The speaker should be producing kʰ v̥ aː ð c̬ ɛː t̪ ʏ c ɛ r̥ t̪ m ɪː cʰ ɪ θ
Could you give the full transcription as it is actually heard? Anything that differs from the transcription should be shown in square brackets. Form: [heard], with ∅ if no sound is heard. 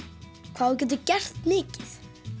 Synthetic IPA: kʰ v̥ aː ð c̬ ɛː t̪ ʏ c ɛ r̥ t̪ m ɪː [c] ɪ θ